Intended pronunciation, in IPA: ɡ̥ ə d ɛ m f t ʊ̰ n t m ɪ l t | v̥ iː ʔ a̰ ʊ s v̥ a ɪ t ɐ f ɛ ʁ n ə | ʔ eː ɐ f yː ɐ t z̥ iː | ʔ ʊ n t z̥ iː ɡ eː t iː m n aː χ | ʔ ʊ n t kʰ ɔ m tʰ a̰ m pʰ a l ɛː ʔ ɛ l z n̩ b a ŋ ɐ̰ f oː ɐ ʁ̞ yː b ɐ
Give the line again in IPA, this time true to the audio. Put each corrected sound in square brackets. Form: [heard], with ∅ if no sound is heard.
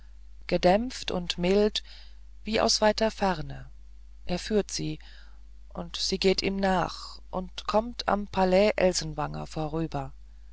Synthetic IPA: ɡ̥ ə d ɛ m f t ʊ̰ n t m ɪ l t | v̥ iː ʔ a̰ ʊ s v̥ a ɪ t ɐ f ɛ ʁ n ə | ʔ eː ɐ f yː ɐ t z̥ iː | ʔ ʊ n t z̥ iː ɡ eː t iː m n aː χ | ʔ ʊ n t kʰ ɔ m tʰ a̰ m pʰ a l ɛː ʔ ɛ l z n̩ [v] a ŋ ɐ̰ f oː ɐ ʁ̞ yː b ɐ